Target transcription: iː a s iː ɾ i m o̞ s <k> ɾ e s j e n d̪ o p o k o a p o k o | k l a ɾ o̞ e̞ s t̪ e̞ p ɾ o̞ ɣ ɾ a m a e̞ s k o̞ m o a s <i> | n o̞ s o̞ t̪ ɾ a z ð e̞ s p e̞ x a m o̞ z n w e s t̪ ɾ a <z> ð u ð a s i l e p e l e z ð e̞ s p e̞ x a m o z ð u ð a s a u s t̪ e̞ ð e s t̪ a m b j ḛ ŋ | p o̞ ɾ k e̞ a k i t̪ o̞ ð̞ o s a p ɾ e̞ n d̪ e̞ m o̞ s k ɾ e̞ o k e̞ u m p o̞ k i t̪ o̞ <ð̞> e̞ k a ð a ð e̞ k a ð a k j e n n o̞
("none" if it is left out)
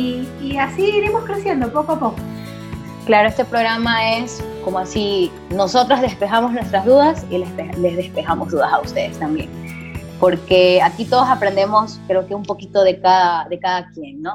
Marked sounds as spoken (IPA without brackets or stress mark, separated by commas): k, i, z, ð̞